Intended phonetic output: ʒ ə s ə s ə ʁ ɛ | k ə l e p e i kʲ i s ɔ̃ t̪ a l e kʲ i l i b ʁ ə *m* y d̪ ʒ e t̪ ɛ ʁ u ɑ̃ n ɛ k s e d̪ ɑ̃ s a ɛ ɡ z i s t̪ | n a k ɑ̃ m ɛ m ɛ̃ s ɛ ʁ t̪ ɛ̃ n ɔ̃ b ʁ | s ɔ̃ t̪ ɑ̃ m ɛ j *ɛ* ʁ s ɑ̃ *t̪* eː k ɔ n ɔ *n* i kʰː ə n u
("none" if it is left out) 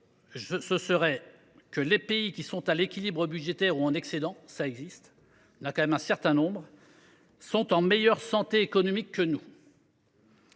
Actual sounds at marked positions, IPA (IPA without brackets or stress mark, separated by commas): b, œ, t̪, m